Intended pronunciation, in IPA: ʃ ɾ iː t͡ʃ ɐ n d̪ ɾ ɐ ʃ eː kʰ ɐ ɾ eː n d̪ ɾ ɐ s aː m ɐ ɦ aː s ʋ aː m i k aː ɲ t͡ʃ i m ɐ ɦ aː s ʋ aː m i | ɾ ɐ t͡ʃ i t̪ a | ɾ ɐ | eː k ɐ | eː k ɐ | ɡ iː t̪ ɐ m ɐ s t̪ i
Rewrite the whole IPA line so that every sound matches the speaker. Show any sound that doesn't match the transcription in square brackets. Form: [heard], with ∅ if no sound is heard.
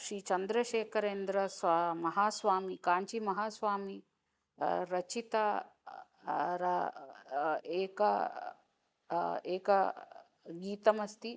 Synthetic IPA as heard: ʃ ɾ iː t͡ʃ ɐ n d̪ ɾ ɐ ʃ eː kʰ ɐ ɾ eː n d̪ ɾ ɐ s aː m ɐ ɦ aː s ʋ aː m i k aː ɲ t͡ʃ i m ɐ ɦ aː s ʋ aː m i | ɾ ɐ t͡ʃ i t̪ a | ɾ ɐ | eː k ɐ | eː k ɐ | ɡ iː t̪ ɐ m ɐ s t̪ i